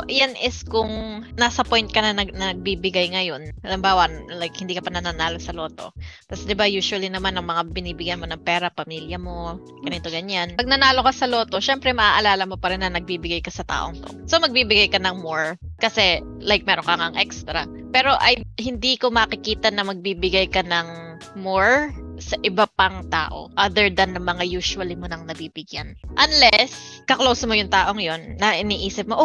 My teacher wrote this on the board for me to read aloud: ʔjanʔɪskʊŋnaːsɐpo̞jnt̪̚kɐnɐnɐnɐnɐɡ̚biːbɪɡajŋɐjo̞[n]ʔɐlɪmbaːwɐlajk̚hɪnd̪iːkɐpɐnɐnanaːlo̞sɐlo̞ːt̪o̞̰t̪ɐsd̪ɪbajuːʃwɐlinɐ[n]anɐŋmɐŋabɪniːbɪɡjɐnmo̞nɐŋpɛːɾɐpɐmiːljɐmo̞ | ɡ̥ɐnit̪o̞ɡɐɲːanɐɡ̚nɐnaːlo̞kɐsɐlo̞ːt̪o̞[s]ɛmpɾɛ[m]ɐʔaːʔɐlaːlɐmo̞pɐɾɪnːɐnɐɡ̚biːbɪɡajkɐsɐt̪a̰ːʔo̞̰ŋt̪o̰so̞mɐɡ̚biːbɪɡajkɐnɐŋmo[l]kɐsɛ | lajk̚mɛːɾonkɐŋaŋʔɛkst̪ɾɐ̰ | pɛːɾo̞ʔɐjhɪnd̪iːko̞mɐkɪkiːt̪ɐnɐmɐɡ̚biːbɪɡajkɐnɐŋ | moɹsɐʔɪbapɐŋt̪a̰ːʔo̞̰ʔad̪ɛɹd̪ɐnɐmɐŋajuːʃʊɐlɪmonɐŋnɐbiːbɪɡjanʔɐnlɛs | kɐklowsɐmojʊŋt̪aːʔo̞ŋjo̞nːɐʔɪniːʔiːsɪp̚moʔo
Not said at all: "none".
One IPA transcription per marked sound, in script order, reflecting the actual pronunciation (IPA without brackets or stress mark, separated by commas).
n, m, ʃ, m, ɹ